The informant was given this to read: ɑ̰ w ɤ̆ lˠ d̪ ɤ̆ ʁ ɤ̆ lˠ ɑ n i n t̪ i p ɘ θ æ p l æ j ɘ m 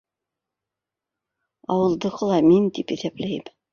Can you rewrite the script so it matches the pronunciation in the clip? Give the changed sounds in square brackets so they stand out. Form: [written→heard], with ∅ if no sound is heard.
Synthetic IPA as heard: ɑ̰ w ɤ̆ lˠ d̪ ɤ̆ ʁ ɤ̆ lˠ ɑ [n→m] i n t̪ i p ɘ θ æ p l æ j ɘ m